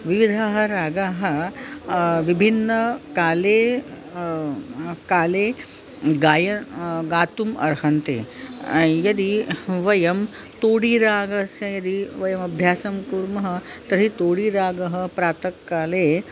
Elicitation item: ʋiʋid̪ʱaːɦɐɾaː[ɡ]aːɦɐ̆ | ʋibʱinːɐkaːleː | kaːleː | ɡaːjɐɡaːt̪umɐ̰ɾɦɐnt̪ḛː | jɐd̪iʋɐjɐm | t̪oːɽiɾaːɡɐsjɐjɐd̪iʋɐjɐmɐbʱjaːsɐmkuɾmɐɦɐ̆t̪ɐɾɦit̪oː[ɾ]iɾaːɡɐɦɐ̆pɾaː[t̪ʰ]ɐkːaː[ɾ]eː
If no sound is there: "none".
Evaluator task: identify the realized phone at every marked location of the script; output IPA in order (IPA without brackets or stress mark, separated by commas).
ɡ, ɽ, t̪, l